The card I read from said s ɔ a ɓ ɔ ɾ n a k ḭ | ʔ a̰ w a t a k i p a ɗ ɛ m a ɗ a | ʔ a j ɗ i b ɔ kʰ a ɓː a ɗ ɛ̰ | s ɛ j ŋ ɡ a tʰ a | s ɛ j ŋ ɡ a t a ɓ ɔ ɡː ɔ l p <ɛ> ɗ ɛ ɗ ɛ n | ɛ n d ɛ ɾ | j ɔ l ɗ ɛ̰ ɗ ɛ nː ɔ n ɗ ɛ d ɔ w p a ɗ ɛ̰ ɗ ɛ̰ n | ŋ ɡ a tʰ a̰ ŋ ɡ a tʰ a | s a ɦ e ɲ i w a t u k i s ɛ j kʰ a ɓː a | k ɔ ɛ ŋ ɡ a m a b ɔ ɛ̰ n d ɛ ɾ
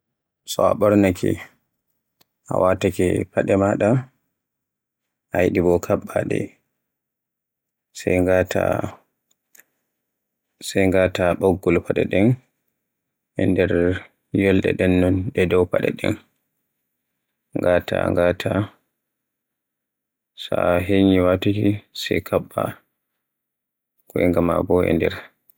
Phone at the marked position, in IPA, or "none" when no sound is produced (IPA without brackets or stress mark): a